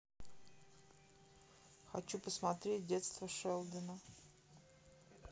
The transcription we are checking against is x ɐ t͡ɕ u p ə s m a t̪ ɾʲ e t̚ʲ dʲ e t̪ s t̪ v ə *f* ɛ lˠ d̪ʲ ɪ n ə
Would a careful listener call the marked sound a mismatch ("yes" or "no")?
yes